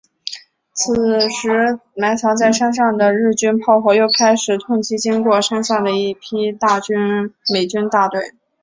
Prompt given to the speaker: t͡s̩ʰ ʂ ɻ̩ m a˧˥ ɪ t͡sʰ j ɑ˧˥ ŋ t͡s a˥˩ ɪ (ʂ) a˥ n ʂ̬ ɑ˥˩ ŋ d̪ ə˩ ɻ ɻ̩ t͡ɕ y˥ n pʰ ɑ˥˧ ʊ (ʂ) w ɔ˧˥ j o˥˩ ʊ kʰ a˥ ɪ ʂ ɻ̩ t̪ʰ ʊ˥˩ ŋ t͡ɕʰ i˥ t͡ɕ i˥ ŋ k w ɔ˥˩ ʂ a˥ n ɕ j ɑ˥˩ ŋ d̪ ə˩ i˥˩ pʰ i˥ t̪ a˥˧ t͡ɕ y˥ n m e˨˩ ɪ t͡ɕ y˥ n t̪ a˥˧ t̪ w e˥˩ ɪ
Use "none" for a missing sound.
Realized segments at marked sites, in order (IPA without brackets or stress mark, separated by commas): ʂ, x